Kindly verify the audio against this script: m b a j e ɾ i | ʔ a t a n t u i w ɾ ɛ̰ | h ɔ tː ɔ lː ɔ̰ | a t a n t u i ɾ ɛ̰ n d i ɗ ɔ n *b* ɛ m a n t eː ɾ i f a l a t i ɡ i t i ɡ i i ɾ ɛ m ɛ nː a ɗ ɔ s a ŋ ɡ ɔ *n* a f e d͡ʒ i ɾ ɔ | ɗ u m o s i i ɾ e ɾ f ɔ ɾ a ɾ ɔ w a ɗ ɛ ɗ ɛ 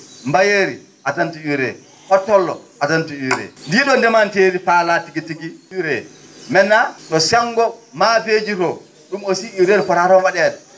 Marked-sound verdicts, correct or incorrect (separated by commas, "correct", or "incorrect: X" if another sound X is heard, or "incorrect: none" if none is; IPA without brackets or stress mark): incorrect: d, incorrect: m